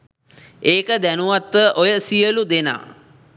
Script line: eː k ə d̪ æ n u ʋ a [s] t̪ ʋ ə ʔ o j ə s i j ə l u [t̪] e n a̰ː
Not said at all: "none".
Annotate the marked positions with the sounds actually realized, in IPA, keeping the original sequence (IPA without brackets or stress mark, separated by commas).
none, d̪